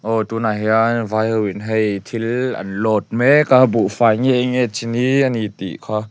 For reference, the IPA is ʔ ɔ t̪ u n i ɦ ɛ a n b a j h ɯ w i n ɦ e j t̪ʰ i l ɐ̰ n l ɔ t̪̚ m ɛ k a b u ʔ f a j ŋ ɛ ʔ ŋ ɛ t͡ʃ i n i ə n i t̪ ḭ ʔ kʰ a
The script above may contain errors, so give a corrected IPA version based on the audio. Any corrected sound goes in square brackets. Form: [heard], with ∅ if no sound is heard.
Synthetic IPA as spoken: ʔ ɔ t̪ u n [a] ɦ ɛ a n [v] a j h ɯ w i n ɦ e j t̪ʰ i l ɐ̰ n l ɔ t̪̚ m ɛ k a b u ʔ f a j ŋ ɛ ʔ ŋ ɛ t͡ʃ i n i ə n i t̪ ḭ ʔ kʰ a